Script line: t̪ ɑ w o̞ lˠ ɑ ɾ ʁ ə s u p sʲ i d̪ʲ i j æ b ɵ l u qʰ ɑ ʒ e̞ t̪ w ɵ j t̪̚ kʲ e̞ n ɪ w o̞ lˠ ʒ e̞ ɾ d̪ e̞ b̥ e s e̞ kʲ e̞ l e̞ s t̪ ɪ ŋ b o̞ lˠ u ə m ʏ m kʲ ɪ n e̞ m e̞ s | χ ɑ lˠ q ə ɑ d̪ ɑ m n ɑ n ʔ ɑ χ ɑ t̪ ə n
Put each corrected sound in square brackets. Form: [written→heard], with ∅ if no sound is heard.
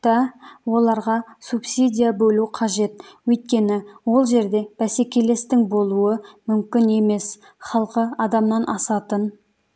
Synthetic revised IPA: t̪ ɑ w o̞ lˠ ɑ ɾ ʁ [ə→ɑ] s u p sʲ i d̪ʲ i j [æ→a] b ɵ l u qʰ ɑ ʒ e̞ t̪ w ɵ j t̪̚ kʲ e̞ n ɪ w o̞ lˠ ʒ e̞ ɾ d̪ e̞ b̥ [e→æ] s e̞ kʲ e̞ l e̞ s t̪ ɪ ŋ b o̞ lˠ u ə m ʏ m kʲ ɪ n e̞ m e̞ s | χ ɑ lˠ q ə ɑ d̪ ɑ m n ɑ n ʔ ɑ [χ→s] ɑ t̪ ə n